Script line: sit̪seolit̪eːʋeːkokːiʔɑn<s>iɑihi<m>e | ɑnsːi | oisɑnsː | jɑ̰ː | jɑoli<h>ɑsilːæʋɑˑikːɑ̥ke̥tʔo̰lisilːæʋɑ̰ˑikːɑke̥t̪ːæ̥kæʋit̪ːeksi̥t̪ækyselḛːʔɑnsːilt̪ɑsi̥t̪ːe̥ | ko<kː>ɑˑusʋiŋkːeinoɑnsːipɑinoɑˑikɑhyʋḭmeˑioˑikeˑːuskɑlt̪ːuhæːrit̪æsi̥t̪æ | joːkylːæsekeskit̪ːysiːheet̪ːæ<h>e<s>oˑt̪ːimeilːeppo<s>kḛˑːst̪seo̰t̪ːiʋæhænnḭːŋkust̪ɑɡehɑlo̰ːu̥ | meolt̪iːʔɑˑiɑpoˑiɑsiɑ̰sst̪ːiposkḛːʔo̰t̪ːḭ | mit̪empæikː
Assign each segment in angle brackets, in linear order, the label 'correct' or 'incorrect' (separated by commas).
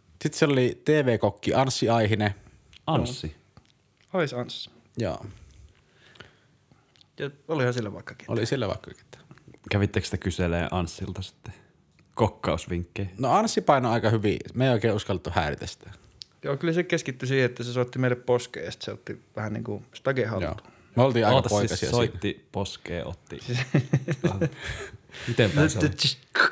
incorrect, incorrect, correct, correct, incorrect, correct, correct